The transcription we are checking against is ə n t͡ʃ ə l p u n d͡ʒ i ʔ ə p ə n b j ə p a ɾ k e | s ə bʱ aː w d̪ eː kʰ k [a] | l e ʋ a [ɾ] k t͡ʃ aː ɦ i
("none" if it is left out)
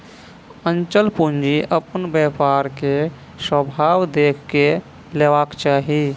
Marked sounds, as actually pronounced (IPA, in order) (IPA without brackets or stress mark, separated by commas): e, none